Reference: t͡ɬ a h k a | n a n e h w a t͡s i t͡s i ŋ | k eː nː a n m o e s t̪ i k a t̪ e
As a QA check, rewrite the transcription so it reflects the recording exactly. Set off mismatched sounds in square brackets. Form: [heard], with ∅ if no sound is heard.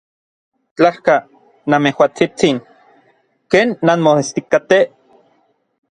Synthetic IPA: t͡ɬ a h k a | n a [m] e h w a t͡s i t͡s i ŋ | k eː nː a n m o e s t̪ i k a t̪ e